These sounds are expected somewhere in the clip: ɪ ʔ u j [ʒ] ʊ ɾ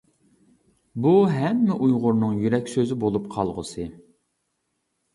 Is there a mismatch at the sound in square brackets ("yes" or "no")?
yes